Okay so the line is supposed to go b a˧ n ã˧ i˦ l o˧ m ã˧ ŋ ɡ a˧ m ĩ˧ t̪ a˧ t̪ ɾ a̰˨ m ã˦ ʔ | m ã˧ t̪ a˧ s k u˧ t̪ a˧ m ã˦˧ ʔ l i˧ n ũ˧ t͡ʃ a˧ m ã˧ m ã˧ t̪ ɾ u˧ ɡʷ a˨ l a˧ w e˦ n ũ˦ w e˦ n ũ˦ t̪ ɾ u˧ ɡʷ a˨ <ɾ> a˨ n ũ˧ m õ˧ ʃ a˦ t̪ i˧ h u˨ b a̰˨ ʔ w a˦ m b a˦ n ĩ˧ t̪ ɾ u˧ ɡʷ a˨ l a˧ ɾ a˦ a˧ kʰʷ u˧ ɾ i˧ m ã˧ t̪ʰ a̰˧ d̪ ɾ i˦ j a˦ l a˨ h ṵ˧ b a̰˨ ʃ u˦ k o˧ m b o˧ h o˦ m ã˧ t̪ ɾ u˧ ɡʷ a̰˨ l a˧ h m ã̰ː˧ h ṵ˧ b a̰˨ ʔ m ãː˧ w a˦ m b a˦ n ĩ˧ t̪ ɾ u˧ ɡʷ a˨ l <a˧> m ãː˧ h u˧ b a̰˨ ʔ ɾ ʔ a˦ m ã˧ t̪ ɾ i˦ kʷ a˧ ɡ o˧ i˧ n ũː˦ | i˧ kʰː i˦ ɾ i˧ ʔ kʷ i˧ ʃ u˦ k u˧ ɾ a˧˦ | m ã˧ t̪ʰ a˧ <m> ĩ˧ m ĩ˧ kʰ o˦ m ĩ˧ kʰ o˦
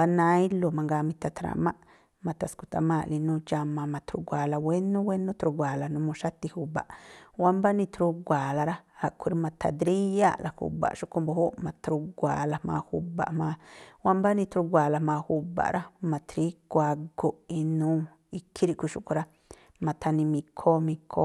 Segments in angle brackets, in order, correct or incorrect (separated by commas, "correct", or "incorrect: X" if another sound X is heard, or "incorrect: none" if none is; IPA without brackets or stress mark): incorrect: l, correct, incorrect: n